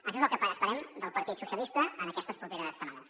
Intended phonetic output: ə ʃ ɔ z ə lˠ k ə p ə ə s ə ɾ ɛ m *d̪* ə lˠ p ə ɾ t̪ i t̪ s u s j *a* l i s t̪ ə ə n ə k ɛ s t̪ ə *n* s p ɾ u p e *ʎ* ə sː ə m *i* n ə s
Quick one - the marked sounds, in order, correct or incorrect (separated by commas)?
correct, incorrect, incorrect, incorrect, incorrect